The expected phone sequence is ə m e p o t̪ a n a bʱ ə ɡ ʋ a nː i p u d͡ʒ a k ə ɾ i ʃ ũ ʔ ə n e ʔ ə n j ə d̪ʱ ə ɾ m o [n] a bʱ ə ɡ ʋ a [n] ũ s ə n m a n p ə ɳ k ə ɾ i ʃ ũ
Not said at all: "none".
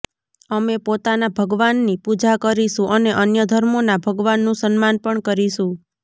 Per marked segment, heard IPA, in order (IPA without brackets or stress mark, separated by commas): n, nː